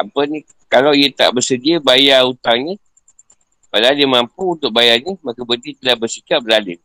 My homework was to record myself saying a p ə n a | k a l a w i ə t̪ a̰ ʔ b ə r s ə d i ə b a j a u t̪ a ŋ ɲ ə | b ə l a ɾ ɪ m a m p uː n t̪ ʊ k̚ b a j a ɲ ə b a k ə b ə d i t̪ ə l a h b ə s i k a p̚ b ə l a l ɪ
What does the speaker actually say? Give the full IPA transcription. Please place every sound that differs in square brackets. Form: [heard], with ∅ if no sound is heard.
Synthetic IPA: a p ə n [i] | k a l a w i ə t̪ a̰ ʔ b ə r s ə d i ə b a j a u t̪ a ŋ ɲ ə | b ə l a [l] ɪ m a m p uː n t̪ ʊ k̚ b a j a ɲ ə [m] a k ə b ə d i t̪ ə l a h b ə s i k a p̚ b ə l a l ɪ